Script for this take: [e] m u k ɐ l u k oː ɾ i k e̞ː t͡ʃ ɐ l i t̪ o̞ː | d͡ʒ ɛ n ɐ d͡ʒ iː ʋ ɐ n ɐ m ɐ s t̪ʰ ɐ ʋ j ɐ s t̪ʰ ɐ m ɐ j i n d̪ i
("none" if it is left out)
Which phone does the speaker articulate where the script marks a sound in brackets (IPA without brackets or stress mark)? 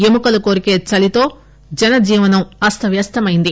e